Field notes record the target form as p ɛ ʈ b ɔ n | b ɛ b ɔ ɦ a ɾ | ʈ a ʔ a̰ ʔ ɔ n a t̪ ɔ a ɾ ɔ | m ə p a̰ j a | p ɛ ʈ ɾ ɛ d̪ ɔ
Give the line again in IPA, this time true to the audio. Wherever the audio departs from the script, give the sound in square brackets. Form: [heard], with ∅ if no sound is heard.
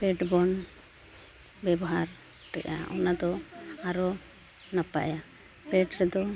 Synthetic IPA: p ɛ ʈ b ɔ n | b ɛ b ɔ ɦ a ɾ | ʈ [ɛ] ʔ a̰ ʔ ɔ n a [d̪] ɔ a ɾ ɔ | [n] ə p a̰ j a | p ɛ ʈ ɾ ɛ d̪ ɔ